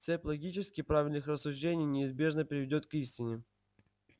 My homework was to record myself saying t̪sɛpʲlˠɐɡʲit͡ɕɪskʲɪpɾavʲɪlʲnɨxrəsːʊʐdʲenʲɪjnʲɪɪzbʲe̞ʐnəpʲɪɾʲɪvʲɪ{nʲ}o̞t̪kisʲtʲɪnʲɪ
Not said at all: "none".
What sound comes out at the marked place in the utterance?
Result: dʲ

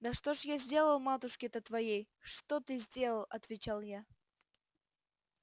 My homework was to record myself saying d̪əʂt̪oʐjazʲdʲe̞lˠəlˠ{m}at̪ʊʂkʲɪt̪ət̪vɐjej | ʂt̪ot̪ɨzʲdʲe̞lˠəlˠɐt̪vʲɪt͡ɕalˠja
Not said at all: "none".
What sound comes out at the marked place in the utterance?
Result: m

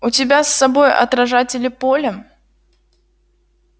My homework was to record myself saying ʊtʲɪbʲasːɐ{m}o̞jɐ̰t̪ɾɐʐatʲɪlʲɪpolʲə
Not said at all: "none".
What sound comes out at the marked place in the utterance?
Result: b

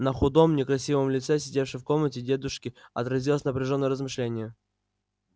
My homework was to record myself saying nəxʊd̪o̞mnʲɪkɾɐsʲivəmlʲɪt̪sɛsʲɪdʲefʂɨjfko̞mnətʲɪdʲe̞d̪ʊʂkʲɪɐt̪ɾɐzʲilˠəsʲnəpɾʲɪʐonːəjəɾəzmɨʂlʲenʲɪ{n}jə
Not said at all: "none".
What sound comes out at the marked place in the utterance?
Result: none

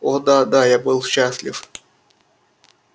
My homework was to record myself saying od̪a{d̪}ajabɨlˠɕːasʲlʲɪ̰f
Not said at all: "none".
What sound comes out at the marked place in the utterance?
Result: d̪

